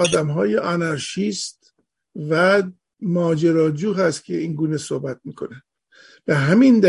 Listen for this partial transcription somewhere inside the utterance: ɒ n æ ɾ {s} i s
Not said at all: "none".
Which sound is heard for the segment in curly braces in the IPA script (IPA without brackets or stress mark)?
ʃ